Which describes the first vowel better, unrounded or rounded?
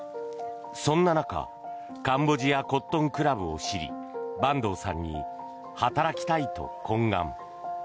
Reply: rounded